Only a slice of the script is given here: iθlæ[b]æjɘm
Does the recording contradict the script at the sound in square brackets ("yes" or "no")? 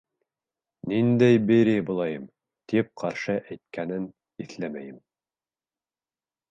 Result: yes